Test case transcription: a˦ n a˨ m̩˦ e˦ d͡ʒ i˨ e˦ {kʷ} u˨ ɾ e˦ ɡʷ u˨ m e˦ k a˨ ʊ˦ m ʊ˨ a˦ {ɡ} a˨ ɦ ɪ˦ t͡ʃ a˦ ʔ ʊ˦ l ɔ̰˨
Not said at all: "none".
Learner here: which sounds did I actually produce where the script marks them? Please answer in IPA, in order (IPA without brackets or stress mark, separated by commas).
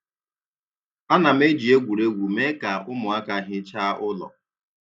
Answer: ɡʷ, k